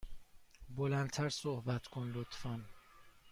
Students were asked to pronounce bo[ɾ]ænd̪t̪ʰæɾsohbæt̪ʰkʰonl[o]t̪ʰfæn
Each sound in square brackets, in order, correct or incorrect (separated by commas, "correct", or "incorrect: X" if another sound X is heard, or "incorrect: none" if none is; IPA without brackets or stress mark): incorrect: l, correct